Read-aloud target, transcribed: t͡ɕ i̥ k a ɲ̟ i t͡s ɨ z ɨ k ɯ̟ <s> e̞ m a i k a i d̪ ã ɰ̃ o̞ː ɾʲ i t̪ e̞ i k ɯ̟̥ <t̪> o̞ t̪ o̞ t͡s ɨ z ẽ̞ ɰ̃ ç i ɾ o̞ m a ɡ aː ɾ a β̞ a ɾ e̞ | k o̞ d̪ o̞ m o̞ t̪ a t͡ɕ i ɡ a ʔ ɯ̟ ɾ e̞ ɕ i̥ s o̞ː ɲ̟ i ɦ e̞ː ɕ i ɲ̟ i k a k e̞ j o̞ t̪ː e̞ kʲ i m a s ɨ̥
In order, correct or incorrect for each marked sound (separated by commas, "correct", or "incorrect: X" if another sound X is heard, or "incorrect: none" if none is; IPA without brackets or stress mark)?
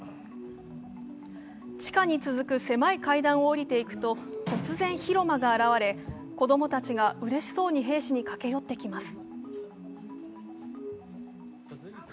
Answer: correct, correct